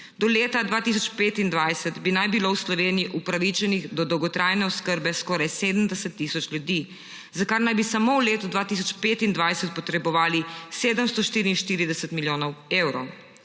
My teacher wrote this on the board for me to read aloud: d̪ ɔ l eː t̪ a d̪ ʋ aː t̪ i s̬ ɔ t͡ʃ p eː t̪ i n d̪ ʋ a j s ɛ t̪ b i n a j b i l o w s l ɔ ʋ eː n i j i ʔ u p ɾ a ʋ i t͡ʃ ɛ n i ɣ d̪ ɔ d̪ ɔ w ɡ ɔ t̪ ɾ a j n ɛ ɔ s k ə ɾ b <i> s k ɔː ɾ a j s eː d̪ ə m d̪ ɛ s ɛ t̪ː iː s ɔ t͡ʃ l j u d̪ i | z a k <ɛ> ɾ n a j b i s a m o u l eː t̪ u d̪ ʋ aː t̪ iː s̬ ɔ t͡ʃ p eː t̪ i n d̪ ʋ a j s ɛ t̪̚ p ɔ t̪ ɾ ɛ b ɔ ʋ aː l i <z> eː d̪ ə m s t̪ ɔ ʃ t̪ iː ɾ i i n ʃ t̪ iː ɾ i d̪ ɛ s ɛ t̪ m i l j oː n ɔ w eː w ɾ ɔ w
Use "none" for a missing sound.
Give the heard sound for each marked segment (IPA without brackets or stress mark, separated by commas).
ɛ, a, s